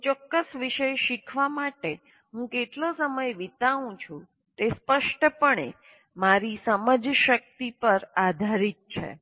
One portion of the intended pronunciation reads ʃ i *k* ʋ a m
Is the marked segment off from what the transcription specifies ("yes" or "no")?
yes